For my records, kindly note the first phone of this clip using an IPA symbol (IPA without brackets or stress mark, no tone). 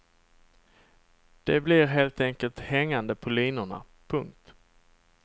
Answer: d̪̥